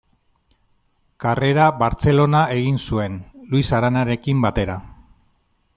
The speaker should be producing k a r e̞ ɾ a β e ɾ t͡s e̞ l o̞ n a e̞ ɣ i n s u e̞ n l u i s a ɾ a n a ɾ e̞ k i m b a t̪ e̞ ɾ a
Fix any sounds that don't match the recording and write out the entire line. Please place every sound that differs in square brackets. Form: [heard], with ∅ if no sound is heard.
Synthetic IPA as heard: k a r e̞ ɾ a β [a] ɾ t͡s e̞ l o̞ n a e̞ ɣ i n s u e̞ n l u i s a ɾ a n a ɾ e̞ k i m b a t̪ e̞ ɾ a